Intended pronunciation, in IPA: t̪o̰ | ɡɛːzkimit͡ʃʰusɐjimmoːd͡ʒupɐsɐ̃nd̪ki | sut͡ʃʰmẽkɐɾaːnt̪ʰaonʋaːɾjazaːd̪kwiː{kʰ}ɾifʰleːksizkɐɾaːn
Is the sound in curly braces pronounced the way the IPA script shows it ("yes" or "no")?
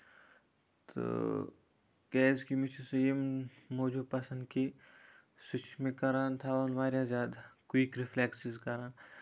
no